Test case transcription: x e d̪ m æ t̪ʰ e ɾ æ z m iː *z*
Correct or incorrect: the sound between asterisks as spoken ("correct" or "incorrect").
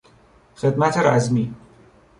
incorrect